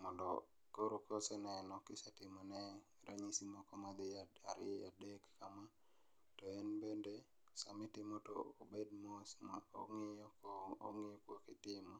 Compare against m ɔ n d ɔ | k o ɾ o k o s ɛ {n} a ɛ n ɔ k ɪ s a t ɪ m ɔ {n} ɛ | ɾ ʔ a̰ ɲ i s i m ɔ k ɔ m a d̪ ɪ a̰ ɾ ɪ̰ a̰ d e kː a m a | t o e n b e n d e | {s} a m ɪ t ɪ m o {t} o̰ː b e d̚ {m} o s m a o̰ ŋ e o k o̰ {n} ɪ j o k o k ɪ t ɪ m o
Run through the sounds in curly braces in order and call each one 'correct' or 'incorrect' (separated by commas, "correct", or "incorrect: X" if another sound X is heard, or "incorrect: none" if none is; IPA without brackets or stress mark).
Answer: correct, correct, correct, correct, correct, incorrect: ŋ